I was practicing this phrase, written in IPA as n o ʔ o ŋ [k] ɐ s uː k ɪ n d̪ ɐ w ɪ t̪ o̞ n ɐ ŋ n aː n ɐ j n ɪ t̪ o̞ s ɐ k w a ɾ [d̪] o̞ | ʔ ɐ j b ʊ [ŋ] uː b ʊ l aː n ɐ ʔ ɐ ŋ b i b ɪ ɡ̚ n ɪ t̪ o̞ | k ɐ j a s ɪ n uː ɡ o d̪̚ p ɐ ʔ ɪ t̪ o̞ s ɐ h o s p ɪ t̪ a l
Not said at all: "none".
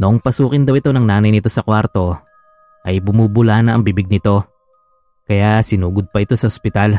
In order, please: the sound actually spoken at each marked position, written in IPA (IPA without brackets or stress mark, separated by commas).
p, t̪, m